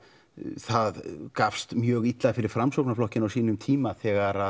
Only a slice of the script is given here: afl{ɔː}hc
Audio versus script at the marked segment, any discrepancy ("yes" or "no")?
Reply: yes